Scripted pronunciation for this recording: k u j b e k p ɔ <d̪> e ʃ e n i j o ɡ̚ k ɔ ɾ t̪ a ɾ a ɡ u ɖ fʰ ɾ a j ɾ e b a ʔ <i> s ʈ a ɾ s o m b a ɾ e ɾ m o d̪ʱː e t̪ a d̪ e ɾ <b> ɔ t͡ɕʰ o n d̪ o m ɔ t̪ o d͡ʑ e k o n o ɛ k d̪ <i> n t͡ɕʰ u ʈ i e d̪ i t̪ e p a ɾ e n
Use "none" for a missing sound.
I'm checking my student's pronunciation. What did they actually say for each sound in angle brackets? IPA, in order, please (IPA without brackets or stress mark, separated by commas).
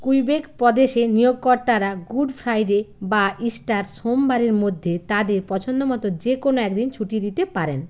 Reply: d̪, i, p, i